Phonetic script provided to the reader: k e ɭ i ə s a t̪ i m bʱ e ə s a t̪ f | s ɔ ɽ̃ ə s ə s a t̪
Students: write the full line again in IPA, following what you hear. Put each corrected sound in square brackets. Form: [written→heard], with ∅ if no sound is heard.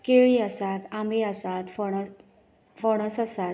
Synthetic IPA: k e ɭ i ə s a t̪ [i→a] m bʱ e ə s a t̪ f | [s→f] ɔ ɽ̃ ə s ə s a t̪

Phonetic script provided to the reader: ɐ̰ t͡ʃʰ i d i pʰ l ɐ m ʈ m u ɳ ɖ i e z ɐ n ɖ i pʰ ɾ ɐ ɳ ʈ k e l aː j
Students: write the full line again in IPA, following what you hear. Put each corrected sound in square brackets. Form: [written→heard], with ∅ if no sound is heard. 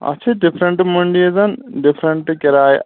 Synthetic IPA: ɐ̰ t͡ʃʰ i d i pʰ [l→ɾ] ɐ [m→ɳ] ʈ m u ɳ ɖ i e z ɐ n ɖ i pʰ ɾ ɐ ɳ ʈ k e [l→ɾ] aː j

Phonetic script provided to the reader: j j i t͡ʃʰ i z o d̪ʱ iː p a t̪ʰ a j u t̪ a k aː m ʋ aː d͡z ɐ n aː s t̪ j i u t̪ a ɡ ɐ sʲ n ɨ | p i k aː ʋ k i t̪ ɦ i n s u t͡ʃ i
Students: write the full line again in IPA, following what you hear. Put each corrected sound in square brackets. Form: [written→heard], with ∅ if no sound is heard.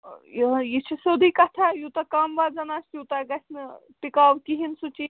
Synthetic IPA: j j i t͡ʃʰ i [z→s] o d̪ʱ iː [p→k] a t̪ʰ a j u t̪ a k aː m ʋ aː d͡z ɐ n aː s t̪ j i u t̪ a ɡ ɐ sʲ n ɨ | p i k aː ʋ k i [t̪→∅] ɦ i n s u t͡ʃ i

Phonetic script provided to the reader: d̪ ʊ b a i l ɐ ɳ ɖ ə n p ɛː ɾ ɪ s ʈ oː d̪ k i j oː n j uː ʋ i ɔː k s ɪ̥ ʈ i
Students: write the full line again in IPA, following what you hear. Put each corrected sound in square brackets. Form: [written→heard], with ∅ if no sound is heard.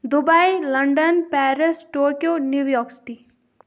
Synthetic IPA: d̪ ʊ b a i l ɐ ɳ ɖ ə n p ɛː ɾ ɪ s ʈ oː [d̪→∅] k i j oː n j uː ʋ [i→j] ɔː k s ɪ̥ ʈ i

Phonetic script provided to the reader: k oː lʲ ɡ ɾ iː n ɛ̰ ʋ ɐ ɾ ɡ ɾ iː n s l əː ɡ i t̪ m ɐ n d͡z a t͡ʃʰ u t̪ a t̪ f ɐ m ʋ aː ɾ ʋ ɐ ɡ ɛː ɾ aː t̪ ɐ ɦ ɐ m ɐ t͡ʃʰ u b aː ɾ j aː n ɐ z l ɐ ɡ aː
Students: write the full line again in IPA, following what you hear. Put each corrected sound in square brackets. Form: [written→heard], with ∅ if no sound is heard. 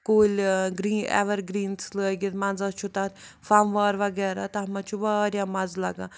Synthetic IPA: k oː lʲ ɡ ɾ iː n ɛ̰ ʋ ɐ ɾ ɡ ɾ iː n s l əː ɡ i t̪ m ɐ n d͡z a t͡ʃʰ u t̪ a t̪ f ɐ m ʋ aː ɾ ʋ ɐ ɡ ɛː ɾ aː t̪ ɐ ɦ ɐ m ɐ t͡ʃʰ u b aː ɾ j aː [n→m] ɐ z l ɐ ɡ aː

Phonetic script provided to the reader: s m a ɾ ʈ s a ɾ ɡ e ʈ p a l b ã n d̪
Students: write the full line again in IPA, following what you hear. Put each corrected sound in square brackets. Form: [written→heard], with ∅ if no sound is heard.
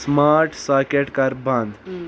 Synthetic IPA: s m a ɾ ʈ s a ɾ [ɡ→k] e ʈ [p→k] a [l→ɾ] b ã n d̪

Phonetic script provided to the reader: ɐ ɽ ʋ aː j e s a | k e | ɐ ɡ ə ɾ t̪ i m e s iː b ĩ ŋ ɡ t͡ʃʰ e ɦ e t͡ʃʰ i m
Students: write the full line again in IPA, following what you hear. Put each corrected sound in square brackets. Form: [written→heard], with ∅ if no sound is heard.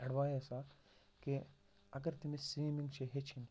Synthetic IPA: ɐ ɽ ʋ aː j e s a | k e | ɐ ɡ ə ɾ t̪ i m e s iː [b→m] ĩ ŋ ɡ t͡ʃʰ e ɦ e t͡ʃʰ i [m→n]

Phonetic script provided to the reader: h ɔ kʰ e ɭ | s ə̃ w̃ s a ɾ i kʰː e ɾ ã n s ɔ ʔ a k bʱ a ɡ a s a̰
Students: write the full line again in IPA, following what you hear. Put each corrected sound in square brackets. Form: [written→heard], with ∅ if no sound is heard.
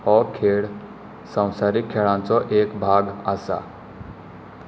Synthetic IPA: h ɔ kʰ e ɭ | s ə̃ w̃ s a ɾ i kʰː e [ɾ→ɭ] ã n [s→t͡s] ɔ ʔ [a→e] k bʱ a ɡ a s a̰

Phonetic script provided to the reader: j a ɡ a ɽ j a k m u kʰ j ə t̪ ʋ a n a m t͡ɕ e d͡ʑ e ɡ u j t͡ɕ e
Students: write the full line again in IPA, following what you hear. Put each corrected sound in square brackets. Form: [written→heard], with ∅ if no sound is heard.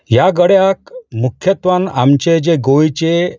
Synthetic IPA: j a ɡ [a→ə] ɽ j a k m u kʰ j ə t̪ ʋ a n a m t͡ɕ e d͡ʑ e ɡ [u→o] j t͡ɕ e

